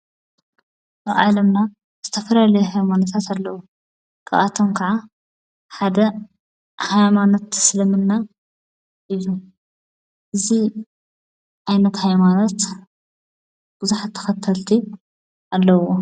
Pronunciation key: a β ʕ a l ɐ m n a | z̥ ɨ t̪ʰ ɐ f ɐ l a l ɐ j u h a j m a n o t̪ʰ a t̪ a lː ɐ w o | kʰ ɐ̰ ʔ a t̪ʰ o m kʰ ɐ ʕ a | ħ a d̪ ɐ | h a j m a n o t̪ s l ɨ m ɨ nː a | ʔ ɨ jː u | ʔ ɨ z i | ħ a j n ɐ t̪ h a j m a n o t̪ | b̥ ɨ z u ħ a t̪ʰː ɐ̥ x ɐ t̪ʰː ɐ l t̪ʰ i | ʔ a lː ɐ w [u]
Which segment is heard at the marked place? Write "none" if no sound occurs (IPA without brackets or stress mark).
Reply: o